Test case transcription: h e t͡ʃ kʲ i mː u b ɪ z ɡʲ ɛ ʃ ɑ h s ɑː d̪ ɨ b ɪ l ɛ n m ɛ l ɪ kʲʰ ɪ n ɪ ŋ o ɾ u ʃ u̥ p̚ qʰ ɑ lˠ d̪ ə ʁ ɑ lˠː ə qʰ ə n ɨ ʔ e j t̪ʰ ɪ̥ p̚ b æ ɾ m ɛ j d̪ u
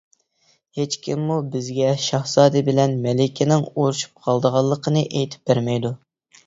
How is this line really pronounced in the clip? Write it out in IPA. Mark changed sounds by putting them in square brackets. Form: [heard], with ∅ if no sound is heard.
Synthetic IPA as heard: h e t͡ʃ kʲ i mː u b ɪ z ɡʲ ɛ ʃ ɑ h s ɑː d̪ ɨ b ɪ l ɛ n m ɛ l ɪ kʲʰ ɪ n ɪ ŋ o ɾ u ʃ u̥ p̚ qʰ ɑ lˠ d̪ ə ʁ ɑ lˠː ə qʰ ə n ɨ ʔ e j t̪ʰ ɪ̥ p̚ b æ ɾ m ɛ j d̪ u